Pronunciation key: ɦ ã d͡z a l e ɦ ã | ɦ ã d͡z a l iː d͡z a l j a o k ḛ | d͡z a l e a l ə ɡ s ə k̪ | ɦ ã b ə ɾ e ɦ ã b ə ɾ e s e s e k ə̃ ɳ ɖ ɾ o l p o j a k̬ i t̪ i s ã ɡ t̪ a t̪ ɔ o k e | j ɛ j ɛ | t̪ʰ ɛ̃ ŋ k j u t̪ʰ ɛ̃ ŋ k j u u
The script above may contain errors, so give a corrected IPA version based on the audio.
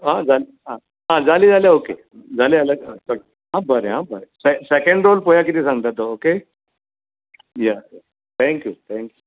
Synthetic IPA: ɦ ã d͡z a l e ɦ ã | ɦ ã d͡z a l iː d͡z a l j a o k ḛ | d͡z a l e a l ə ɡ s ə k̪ | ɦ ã b ə ɾ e ɦ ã b ə ɾ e s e s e k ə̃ ɳ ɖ ɾ o l p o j a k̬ i t̪ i s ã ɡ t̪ a t̪ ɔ o k e | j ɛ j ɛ | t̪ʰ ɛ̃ ŋ k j u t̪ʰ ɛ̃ ŋ k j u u